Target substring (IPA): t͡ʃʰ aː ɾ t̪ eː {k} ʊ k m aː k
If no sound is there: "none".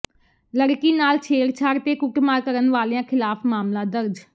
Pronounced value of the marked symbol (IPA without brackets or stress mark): k